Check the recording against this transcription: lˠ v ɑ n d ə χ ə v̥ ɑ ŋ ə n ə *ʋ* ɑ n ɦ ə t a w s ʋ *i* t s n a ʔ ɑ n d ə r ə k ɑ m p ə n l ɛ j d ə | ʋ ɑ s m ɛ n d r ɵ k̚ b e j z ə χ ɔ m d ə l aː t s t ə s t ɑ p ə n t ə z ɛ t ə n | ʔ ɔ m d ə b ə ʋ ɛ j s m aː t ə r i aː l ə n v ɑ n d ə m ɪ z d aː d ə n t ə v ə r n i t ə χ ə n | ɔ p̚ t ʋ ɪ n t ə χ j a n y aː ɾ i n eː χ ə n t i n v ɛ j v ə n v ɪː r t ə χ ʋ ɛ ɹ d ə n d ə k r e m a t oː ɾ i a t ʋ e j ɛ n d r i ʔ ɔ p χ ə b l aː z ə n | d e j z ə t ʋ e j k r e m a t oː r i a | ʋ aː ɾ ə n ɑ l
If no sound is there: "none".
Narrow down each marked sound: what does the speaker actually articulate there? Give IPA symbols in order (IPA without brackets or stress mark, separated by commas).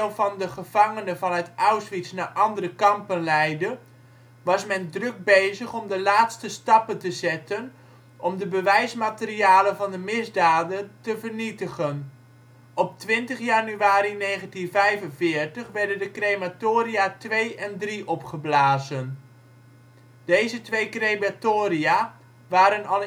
v, i